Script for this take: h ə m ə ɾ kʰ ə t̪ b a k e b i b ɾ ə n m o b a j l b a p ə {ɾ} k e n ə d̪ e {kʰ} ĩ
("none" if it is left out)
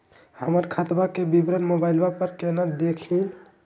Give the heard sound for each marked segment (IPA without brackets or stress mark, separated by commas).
ɾ, kʰ